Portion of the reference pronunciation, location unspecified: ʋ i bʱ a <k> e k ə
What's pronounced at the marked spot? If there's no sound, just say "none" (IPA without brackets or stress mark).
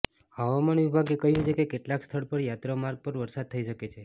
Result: ɡ